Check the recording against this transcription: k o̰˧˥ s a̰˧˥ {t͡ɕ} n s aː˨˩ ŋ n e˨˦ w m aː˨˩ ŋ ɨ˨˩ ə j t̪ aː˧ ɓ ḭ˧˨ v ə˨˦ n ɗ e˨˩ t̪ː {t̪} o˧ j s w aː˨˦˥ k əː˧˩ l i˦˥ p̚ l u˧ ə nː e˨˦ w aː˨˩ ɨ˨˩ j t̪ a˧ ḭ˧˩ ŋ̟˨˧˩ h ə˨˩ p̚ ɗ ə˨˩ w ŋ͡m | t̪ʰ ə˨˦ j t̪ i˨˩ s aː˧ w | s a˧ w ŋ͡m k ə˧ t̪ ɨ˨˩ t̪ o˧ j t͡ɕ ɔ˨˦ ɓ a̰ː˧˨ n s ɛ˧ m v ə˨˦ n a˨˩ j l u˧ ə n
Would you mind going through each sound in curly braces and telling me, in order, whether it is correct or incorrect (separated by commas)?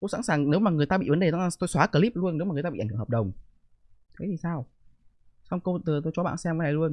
incorrect, correct